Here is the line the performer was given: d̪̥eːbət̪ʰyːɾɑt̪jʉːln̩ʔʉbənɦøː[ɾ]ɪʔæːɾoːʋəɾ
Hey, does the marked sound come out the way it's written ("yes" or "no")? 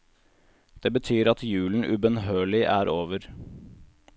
no